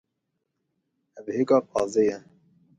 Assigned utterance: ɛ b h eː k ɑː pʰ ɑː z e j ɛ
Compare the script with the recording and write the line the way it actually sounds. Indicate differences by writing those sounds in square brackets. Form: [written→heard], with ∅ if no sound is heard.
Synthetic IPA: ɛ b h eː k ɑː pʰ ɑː z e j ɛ